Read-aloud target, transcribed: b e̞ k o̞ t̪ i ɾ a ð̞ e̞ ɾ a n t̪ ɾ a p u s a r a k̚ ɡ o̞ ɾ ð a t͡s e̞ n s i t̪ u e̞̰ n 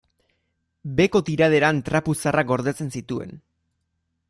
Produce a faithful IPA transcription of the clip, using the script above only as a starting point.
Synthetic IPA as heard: b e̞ k o̞ t̪ i ɾ a ð̞ e̞ ɾ a n t̪ ɾ a p u s a r a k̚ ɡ o̞ ɾ ð e t͡s e̞ n s i t̪ u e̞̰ n